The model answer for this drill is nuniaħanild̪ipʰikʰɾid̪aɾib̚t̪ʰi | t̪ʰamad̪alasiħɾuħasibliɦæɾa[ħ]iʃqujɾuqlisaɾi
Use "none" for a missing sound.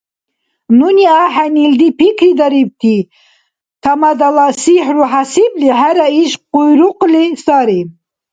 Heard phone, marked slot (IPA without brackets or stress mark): none